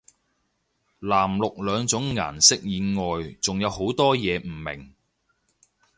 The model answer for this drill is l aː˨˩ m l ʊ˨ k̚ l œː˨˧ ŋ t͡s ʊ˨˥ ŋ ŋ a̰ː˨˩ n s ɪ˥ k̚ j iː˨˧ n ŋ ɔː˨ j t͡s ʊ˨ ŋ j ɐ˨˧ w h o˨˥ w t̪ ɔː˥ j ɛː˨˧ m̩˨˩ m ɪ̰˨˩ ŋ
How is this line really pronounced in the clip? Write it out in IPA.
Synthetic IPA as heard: l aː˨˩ m l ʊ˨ k̚ l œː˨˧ ŋ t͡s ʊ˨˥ ŋ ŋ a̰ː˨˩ n s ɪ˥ k̚ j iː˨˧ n ŋ ɔː˨ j t͡s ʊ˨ ŋ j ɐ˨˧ w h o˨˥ w t̪ ɔː˥ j ɛː˨˧ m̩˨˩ m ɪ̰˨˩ ŋ